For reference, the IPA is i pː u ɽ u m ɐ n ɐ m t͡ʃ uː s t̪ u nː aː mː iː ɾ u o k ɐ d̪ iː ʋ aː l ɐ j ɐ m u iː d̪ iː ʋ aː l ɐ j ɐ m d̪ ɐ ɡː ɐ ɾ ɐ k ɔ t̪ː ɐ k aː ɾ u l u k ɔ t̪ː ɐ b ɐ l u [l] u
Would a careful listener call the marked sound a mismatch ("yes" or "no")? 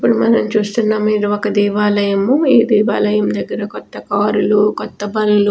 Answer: no